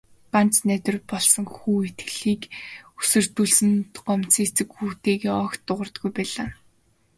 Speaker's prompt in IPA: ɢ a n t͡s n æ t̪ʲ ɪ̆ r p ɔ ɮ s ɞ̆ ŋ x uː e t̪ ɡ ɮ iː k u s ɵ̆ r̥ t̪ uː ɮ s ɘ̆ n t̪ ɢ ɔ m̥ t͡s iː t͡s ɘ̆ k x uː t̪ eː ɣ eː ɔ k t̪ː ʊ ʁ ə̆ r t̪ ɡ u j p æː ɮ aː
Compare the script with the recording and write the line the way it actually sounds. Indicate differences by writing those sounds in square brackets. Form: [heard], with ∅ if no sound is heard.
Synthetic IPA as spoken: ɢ a n t͡s n æ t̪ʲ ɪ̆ r p ɔ ɮ s ɞ̆ ŋ x uː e t̪ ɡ ɮ iː k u s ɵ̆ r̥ t̪ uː ɮ s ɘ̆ n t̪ ɢ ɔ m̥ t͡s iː t͡s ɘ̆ k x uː t̪ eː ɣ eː ɔ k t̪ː ʊ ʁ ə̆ r t̪ ɡ u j p æː ɮ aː

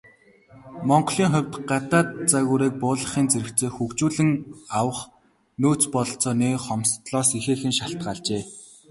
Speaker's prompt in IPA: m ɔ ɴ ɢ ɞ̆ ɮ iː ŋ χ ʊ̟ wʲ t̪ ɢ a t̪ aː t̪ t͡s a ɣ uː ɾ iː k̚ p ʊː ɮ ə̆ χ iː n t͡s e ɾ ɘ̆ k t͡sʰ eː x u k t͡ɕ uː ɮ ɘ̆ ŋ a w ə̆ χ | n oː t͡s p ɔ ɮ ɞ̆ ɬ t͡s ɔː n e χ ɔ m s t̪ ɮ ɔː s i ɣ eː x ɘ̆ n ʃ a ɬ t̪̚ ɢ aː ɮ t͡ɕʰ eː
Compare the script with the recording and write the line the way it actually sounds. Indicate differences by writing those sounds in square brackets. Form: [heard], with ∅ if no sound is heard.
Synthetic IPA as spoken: m ɔ ɴ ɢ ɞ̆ ɮ iː ŋ χ ʊ̟ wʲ t̪ ɢ a t̪ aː t̪ t͡s a ɣ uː ɾ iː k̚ p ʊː ɮ ə̆ χ iː n t͡s e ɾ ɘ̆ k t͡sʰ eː x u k t͡ɕ uː ɮ ɘ̆ ŋ a w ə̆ χ | n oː t͡s p ɔ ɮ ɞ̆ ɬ t͡s ɔː n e χ ɔ m s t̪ ɮ ɔː s i [x] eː x ɘ̆ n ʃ a ɬ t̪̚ ɢ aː ɮ [t͡ɕ] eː

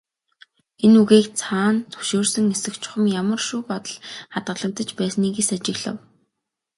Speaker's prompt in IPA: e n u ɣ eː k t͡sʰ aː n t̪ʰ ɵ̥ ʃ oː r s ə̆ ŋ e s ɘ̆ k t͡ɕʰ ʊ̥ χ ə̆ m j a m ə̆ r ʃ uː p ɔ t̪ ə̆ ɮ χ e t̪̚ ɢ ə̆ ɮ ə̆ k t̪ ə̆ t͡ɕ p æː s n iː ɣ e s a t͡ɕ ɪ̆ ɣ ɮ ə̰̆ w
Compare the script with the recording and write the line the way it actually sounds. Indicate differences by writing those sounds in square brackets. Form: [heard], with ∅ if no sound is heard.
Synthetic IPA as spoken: e n u ɣ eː k t͡sʰ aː n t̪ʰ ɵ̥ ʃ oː r s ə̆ ŋ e s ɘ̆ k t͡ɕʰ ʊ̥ χ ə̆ m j a m ə̆ r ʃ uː p ɔ t̪ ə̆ ɮ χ [a] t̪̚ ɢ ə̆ ɮ ə̆ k t̪ ə̆ t͡ɕ p æː s n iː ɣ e s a t͡ɕ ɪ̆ ɣ ɮ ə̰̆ w

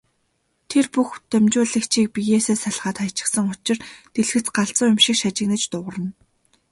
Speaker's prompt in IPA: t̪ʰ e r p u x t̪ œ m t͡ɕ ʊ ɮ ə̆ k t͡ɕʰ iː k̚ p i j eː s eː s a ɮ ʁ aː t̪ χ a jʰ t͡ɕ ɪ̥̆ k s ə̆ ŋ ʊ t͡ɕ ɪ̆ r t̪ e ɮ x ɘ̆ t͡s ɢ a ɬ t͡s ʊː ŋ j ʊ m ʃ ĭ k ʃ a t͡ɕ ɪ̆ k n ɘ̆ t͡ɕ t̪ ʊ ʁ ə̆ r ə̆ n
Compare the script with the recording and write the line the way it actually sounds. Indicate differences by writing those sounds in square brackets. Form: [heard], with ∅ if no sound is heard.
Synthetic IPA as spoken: t̪ʰ e r p u x t̪ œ m t͡ɕ [ʊː] ɮ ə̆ k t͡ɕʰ iː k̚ p i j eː s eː s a ɮ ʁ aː t̪ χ a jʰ t͡ɕ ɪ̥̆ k s ə̆ ŋ ʊ t͡ɕ ɪ̆ r t̪ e ɮ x ɘ̆ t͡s ɢ a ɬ t͡s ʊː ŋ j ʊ m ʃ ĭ k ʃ a t͡ɕ ɪ̆ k n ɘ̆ t͡ɕ t̪ ʊ ʁ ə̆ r ə̆ n

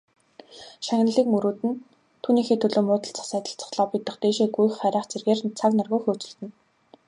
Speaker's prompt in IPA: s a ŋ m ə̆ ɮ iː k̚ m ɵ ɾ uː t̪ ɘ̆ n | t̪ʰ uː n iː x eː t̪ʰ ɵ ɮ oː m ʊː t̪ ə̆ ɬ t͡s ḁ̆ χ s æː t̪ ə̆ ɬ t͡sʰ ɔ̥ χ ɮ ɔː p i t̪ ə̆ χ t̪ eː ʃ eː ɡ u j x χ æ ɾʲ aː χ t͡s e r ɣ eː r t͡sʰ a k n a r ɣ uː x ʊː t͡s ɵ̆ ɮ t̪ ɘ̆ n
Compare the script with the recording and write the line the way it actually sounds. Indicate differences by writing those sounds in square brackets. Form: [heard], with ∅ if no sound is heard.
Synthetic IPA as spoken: [ʃ] a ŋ [n] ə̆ ɮ iː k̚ m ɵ ɾ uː t̪ ɘ̆ n | t̪ʰ uː n iː x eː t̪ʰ ɵ ɮ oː m ʊː t̪ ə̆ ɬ t͡s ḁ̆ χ s æː t̪ ə̆ ɬ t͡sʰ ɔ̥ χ ɮ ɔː p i t̪ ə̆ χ t̪ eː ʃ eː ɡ u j x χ æ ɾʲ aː χ t͡s e r ɣ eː r t͡sʰ a k n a r ɣ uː x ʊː t͡s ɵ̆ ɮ t̪ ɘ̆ n

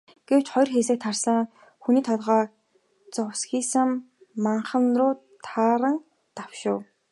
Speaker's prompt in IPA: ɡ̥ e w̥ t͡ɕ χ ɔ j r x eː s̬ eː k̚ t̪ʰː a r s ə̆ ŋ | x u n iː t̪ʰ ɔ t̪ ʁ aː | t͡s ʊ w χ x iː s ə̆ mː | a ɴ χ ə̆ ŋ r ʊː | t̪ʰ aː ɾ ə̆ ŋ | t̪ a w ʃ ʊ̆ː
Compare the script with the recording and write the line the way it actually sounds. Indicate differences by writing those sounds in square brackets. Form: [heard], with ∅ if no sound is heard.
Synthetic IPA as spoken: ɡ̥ e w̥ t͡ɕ χ ɔ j r x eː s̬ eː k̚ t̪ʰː a r s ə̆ ŋ | x u n iː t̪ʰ ɔ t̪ ʁ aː | t͡s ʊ w [s] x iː s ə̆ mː | a ɴ χ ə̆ [n] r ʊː | t̪ʰ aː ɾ ə̆ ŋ | t̪ a w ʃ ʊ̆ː

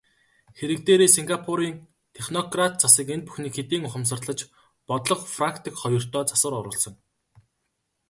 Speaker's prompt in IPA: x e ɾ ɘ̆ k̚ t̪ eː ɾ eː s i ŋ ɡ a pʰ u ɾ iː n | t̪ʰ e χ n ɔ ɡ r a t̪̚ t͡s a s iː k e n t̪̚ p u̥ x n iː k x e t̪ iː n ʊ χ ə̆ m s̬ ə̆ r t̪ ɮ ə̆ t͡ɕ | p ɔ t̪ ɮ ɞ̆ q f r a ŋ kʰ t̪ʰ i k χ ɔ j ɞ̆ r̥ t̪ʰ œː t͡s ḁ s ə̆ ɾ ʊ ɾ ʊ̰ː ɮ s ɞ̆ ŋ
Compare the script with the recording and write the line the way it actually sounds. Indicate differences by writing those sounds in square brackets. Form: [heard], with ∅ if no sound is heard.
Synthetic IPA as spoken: x e ɾ ɘ̆ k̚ t̪ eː ɾ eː s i ŋ ɡ a pʰ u ɾ iː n | t̪ʰ e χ n ɔ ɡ r a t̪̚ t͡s a s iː k e n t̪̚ p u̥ x n iː k x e t̪ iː [ŋ] ʊ χ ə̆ m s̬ ə̆ r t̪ ɮ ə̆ t͡ɕ | p ɔ t̪ ɮ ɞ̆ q f r a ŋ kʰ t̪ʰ i k χ ɔ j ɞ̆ r̥ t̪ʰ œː t͡s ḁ s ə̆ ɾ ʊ ɾ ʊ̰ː ɮ s ɞ̆ ŋ

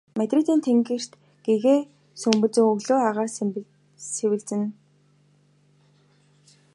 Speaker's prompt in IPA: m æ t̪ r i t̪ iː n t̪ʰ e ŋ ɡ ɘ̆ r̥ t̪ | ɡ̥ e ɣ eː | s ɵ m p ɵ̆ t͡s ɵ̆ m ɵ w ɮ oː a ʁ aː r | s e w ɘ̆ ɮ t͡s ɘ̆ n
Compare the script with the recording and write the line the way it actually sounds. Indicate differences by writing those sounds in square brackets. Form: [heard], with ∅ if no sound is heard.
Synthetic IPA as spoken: m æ t̪ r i t̪ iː n t̪ʰ e ŋ ɡ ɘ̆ r̥ t̪ | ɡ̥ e ɣ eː | s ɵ m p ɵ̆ t͡s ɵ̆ [ŋ] ɵ [ɣ] ɮ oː a ʁ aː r | s e w ɘ̆ ɮ t͡s ɘ̆ n

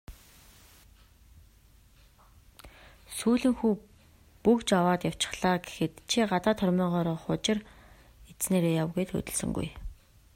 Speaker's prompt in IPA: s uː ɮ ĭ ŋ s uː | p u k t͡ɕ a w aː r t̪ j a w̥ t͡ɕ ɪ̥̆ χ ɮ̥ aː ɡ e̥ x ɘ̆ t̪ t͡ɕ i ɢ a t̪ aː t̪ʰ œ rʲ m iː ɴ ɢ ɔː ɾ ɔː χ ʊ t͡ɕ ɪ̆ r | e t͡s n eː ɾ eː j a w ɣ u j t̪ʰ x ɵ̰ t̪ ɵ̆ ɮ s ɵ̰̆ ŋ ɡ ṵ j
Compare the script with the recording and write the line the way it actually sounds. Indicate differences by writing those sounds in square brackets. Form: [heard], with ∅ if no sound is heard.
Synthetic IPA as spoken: s uː ɮ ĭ ŋ [x] uː | p u k t͡ɕ a w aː [∅] t̪ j a w̥ t͡ɕ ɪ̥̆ χ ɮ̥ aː ɡ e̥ x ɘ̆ t̪ [t͡ɕʰ] i ɢ a t̪ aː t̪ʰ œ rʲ m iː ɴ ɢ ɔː ɾ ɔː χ ʊ t͡ɕ ɪ̆ r | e t͡s n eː ɾ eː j a w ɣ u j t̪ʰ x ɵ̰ t̪ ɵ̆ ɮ s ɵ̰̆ ŋ ɡ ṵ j

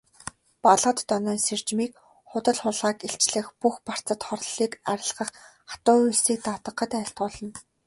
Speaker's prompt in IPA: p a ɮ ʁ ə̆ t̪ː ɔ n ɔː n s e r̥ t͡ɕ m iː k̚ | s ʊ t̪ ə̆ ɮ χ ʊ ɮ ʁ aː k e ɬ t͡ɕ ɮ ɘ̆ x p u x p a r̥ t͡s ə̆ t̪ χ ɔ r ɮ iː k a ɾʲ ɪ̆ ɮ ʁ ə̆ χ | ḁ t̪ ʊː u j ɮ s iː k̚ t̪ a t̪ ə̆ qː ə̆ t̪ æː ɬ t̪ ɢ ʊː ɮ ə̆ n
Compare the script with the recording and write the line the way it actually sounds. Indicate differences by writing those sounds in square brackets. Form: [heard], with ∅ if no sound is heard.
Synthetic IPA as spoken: p a ɮ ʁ ə̆ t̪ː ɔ n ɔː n s e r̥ t͡ɕ m iː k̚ | [χ] ʊ t̪ ə̆ ɮ χ ʊ ɮ ʁ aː k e ɬ t͡ɕ ɮ ɘ̆ x p u x p a r̥ t͡s ə̆ t̪ χ ɔ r ɮ iː k a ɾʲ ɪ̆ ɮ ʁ ə̆ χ | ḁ t̪ ʊː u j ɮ s iː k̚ t̪ a t̪ ə̆ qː ə̆ t̪ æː ɬ t̪ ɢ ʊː ɮ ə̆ n

